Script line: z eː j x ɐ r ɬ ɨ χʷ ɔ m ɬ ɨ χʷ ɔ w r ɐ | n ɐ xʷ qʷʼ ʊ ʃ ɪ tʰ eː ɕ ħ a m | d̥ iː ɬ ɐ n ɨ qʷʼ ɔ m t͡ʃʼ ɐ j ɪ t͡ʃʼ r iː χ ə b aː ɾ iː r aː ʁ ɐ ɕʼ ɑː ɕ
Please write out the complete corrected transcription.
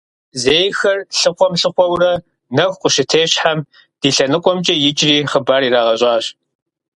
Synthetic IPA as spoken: z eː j x ɐ r ɬ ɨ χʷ ɔ m ɬ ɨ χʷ ɔ w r ɐ | n ɐ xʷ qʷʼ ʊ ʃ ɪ tʰ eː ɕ ħ a m | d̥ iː ɬ ɐ n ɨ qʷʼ ɔ m t͡ʃʼ ɐ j ɪ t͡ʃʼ r iː χ ə b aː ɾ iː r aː ʁ ɐ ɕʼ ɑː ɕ